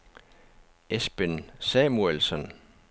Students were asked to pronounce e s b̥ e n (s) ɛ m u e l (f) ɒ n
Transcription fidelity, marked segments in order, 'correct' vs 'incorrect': correct, incorrect: s

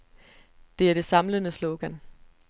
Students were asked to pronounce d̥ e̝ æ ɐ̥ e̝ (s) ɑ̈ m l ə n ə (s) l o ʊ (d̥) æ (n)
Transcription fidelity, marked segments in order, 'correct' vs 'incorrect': correct, correct, incorrect: ɡ̥, correct

